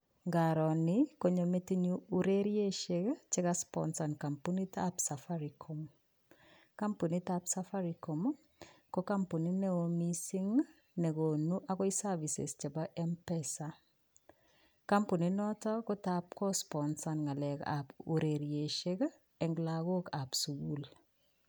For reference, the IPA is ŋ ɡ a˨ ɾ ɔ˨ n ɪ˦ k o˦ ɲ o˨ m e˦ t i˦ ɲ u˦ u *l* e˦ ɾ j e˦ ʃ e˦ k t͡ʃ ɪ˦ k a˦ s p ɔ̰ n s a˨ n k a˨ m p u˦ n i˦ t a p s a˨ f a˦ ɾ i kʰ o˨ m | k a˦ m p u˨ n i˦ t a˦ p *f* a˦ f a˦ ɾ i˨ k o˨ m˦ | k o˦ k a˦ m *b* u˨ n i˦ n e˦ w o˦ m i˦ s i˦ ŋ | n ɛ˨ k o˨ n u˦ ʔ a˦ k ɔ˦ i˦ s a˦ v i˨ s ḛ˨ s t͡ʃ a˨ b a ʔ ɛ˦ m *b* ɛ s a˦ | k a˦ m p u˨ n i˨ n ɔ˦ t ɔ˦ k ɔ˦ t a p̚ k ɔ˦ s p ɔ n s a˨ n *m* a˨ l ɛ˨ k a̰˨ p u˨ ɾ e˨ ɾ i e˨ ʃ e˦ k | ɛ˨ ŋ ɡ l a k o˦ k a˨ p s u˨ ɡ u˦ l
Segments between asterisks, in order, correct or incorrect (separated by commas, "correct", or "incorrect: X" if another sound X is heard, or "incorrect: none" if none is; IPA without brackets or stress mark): incorrect: ɾ, incorrect: s, incorrect: p, incorrect: p, incorrect: ŋ